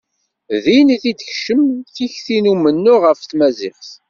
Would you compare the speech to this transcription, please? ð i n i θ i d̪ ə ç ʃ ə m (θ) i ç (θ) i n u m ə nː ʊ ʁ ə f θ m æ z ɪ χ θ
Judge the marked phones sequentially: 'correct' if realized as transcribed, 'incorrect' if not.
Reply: correct, correct

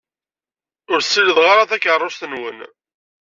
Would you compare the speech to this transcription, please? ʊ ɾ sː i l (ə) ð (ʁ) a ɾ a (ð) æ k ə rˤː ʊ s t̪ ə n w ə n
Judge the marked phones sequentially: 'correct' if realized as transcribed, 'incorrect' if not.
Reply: correct, correct, incorrect: θ

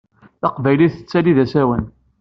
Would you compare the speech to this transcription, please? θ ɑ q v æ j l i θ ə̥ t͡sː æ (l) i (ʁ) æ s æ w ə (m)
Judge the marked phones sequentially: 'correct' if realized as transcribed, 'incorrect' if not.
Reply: correct, incorrect: ð, incorrect: n

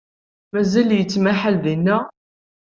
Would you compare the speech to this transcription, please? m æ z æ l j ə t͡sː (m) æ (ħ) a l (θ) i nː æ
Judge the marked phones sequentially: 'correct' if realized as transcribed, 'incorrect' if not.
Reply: correct, correct, incorrect: ð

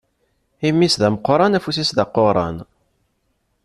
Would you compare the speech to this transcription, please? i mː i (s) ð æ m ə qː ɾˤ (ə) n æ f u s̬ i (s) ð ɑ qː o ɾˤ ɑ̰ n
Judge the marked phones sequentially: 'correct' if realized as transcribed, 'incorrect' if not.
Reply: correct, incorrect: ɑ, correct

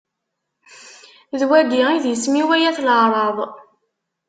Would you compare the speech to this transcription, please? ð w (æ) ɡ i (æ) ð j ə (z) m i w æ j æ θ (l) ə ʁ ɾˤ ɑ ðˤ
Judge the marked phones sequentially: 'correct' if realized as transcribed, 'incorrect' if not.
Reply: correct, incorrect: i, incorrect: s, correct

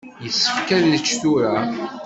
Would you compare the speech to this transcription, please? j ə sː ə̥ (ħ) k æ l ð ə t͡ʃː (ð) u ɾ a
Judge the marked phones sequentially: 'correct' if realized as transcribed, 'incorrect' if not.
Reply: incorrect: f, incorrect: θ

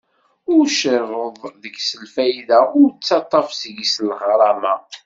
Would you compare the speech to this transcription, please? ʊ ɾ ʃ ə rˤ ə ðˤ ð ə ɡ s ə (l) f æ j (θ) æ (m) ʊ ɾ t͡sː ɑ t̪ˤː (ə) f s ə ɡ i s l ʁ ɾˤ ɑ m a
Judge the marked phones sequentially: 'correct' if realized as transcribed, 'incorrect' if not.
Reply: correct, incorrect: ð, incorrect: none, incorrect: ɑ

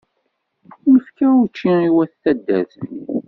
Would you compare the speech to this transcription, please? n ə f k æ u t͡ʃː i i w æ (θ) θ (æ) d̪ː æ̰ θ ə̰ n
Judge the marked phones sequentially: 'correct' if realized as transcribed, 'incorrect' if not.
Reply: correct, correct

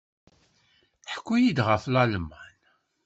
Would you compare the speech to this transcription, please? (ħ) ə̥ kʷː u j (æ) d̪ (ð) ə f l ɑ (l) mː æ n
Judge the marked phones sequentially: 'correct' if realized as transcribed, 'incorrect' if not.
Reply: correct, incorrect: i, incorrect: ʁ, correct

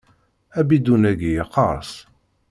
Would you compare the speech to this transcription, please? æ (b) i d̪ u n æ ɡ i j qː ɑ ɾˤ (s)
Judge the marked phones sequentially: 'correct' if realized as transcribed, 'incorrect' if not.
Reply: correct, correct

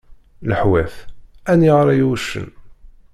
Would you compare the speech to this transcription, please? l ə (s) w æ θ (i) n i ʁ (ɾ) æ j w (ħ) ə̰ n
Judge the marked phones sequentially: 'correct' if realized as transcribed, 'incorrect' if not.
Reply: incorrect: ħ, incorrect: æ, correct, incorrect: ʃ

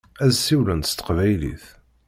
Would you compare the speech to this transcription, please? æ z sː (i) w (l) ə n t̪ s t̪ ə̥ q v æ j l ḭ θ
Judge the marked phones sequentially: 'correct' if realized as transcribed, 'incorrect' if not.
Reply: correct, correct

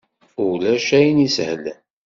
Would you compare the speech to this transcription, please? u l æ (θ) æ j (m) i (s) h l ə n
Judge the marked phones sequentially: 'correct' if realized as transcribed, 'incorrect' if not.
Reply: incorrect: ʃ, incorrect: n, correct

